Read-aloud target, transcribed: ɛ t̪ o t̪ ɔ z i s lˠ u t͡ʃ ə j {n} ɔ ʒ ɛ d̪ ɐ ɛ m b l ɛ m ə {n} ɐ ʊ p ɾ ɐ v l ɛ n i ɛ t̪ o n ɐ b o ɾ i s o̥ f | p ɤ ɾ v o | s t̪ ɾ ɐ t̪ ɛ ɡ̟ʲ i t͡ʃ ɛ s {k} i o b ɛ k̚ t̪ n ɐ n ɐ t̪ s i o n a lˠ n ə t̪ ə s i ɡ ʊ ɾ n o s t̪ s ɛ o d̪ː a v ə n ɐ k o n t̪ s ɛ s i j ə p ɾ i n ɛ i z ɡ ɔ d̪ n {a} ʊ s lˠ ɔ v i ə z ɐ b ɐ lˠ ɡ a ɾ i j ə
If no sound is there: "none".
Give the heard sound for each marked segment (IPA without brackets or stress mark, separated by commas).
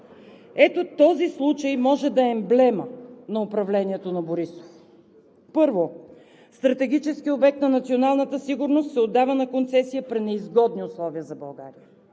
m, n, k, i